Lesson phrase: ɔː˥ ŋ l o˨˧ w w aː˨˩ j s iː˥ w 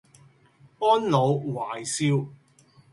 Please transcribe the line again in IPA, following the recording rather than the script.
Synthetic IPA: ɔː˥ n l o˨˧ w w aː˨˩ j s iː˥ w